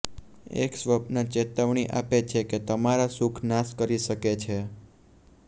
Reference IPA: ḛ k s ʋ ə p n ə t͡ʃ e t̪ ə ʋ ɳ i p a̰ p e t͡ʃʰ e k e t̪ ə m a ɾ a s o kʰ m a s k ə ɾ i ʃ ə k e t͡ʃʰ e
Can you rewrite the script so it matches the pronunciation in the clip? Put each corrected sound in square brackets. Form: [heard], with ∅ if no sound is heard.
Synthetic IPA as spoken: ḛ k s ʋ ə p n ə t͡ʃ e t̪ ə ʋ ɳ i [ʔ] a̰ p e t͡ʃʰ e k e t̪ ə m a ɾ a s [u] kʰ [n] a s k ə ɾ i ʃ ə k e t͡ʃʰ e